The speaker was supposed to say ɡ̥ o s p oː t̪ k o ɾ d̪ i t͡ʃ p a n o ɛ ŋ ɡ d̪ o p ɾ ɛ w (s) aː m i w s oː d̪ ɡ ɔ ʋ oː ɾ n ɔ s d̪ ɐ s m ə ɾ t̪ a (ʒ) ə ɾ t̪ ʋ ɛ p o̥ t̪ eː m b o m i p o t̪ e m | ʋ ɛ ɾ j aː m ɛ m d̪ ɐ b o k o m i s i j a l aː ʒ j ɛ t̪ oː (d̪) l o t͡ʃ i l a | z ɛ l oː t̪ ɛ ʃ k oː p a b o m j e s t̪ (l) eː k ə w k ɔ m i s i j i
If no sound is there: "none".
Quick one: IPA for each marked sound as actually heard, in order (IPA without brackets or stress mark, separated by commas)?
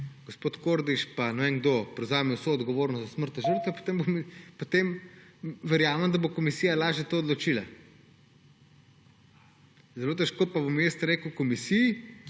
z, ʒ, d̪, ɾ